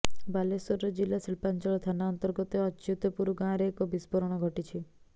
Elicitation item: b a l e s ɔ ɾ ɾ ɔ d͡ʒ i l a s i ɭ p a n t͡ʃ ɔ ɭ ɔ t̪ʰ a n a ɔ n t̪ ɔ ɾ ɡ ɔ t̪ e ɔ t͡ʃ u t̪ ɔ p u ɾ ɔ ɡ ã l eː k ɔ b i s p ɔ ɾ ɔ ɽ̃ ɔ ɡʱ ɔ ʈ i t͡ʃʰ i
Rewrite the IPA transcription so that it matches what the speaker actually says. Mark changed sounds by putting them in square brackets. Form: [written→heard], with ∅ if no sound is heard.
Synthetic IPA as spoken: b a l e s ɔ ɾ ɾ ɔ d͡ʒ i l a s i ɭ p a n t͡ʃ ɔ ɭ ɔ t̪ʰ a n a ɔ n t̪ ɔ ɾ ɡ ɔ t̪ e ɔ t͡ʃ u t̪ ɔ p u ɾ [ɔ→u] ɡ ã [l→ɾ] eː k ɔ b i s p ɔ ɾ ɔ ɽ̃ ɔ ɡʱ ɔ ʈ i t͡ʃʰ i